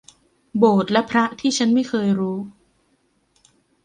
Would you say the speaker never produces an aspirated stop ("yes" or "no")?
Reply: no